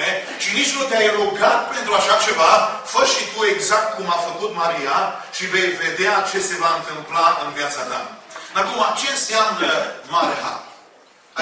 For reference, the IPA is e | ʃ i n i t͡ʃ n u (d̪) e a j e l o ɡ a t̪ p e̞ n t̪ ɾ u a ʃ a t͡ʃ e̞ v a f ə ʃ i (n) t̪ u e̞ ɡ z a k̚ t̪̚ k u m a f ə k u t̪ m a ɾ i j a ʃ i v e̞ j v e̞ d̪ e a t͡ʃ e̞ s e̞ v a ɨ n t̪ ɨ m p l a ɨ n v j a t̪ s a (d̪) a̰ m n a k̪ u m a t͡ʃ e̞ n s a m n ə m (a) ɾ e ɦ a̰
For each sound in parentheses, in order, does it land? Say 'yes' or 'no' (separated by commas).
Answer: no, no, yes, yes